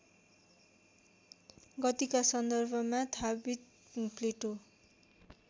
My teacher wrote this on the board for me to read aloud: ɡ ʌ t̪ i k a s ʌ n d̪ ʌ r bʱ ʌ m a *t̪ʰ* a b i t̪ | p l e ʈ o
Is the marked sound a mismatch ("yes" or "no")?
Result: no